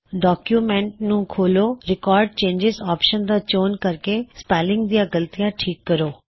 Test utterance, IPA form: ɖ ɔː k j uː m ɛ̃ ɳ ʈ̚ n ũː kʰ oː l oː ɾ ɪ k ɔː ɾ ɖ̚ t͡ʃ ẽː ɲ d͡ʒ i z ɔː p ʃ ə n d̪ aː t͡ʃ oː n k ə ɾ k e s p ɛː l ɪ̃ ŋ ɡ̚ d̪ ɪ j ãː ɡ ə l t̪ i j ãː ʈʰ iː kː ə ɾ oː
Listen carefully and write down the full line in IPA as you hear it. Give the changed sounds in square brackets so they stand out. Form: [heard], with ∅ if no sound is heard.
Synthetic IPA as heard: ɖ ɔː k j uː m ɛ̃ ɳ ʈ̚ n ũː kʰ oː l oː ɾ ɪ k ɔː ɾ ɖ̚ t͡ʃ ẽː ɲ d͡ʒ [ɪ] z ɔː p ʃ ə n d̪ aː t͡ʃ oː n k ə ɾ k e s p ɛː l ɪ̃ ŋ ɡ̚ d̪ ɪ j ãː ɡ ə l t̪ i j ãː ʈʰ iː kː ə ɾ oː